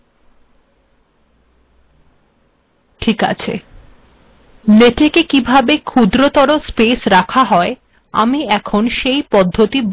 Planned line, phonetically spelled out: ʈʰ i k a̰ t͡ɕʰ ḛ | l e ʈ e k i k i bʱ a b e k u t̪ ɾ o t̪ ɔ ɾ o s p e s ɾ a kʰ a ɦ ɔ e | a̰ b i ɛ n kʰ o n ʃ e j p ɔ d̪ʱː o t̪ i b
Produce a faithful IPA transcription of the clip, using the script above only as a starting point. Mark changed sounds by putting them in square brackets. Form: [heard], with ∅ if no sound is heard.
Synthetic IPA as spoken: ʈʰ i k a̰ t͡ɕʰ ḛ | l e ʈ e k [e] k i bʱ a b e [kʰ] u [d̪] ɾ o t̪ ɔ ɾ o s p e s ɾ a kʰ a ɦ ɔ e | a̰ [m] i ɛ [∅] kʰ o n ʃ e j p ɔ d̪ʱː o t̪ i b